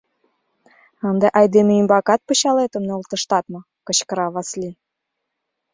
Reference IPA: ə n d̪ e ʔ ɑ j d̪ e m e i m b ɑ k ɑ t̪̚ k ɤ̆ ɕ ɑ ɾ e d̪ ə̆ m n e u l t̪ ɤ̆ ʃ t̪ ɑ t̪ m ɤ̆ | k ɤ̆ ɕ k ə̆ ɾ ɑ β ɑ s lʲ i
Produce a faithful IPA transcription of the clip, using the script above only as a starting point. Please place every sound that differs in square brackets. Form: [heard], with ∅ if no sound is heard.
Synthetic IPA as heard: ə n d̪ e ʔ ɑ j d̪ e m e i m b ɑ k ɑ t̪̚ [p] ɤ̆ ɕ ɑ [l] e [t̪] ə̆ m n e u l t̪ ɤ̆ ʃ t̪ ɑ t̪ m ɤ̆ | k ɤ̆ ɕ k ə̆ ɾ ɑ β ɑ s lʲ i